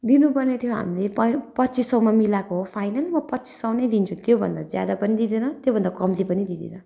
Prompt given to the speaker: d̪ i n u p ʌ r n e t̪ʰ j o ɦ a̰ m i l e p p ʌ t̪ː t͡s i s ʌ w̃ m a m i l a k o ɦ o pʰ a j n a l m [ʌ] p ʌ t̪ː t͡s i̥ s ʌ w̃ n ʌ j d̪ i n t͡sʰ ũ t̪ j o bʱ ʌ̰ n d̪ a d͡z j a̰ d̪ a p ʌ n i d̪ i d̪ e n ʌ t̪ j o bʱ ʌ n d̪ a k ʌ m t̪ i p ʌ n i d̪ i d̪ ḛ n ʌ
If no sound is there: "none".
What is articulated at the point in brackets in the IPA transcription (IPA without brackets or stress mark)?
ʌ